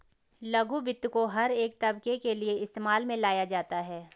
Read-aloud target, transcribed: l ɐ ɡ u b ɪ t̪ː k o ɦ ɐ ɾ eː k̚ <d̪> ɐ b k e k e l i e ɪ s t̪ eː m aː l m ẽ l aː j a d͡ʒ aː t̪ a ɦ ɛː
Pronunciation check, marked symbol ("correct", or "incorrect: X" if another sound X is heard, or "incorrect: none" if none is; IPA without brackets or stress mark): incorrect: t̪